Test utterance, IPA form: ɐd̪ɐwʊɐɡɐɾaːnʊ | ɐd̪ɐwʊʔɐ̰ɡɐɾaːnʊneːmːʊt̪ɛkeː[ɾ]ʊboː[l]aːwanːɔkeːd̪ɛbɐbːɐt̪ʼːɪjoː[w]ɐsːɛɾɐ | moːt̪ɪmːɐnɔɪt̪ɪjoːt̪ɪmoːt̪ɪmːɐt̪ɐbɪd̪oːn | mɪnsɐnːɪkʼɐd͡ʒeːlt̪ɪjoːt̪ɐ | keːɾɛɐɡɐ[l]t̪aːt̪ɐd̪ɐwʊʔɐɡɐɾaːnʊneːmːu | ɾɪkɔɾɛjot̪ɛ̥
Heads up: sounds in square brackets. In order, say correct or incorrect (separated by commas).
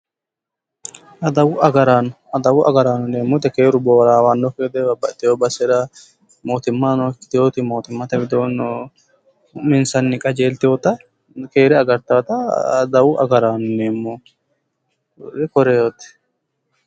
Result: correct, incorrect, incorrect, incorrect